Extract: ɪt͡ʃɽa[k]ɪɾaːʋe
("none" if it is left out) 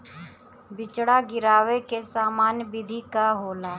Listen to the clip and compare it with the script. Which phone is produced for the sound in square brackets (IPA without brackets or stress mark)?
ɡ